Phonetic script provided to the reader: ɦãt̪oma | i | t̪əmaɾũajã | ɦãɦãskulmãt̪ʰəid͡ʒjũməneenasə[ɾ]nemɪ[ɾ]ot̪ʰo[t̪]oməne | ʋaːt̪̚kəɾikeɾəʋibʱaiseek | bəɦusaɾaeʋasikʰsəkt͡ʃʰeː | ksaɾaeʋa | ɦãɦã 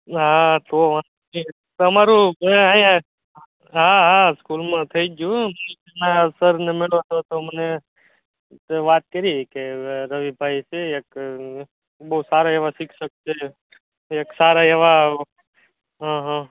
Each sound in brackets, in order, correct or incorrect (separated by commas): correct, incorrect, correct